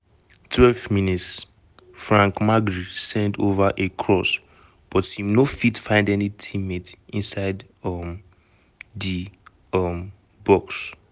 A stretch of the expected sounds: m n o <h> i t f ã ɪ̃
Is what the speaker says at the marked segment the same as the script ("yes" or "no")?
no